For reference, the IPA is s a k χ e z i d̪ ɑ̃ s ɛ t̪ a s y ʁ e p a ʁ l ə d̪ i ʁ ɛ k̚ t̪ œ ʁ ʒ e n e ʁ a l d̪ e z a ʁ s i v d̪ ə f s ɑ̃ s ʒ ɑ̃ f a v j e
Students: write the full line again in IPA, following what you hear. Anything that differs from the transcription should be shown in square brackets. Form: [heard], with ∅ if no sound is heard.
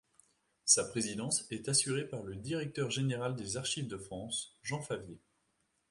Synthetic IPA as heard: s a [p] χ e z i d̪ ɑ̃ s ɛ t̪ a s y ʁ e p a ʁ l ə d̪ i ʁ ɛ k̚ t̪ œ ʁ ʒ e n e ʁ a l d̪ e z a ʁ [ʃ] i v d̪ ə f [χ] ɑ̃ s ʒ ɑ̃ f a v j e